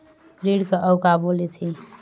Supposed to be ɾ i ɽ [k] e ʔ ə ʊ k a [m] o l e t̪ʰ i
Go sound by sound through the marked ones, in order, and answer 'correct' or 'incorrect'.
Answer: correct, incorrect: b

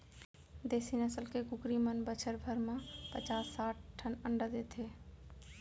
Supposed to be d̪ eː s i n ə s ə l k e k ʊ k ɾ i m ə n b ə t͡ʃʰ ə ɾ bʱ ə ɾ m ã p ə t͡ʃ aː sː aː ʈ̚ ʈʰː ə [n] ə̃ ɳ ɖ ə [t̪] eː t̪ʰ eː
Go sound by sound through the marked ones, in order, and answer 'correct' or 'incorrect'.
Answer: correct, incorrect: d̪

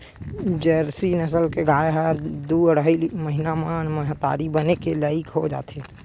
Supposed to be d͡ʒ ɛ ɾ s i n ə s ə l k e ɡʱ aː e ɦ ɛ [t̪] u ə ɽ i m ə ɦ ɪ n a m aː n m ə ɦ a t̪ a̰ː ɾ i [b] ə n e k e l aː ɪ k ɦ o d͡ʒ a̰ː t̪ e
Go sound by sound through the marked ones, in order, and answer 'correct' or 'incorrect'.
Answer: incorrect: d̪, correct

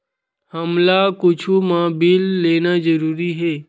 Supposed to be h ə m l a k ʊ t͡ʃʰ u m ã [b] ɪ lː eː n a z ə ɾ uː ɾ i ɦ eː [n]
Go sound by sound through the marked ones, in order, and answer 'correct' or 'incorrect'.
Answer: correct, incorrect: none

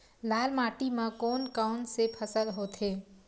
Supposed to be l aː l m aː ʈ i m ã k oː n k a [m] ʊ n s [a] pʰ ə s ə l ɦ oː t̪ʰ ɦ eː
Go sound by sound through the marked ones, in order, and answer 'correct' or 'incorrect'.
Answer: incorrect: none, incorrect: e

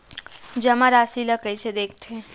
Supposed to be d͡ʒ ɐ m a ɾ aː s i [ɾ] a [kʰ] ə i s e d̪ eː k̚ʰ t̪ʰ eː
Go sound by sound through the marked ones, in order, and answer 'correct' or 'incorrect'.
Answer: incorrect: l, incorrect: k

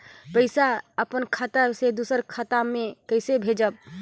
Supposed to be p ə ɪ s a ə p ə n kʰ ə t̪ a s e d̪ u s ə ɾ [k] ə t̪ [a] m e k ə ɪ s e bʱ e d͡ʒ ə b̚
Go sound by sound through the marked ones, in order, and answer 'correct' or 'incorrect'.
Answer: incorrect: kʰ, correct

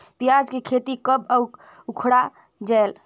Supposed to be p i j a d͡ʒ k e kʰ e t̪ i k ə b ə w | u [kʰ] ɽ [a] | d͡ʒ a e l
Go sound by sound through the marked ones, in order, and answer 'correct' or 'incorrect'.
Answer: correct, correct

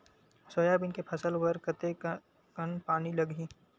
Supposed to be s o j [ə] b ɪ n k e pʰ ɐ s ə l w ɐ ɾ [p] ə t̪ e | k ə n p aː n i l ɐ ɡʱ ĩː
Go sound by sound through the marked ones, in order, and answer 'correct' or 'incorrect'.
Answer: incorrect: a, incorrect: k

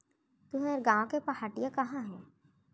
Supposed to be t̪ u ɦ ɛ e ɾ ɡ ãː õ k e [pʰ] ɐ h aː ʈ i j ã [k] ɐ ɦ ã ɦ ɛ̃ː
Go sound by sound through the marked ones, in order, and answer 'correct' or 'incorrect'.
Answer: incorrect: p, correct

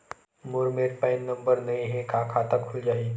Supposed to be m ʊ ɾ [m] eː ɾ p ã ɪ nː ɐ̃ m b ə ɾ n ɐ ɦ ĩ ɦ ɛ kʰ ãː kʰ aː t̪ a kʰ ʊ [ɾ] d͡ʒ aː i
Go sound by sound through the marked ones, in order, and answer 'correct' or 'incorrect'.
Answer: correct, incorrect: l

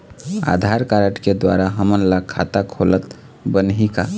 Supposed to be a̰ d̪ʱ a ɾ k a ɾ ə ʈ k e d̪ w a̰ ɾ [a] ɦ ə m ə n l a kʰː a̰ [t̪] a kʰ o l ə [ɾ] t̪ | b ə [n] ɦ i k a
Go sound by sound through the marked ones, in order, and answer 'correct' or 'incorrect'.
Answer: correct, correct, incorrect: none, correct

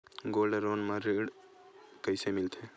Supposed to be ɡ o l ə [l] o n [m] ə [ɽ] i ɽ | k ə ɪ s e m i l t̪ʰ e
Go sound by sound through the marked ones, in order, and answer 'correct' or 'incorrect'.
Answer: incorrect: ɾ, correct, incorrect: ɾ

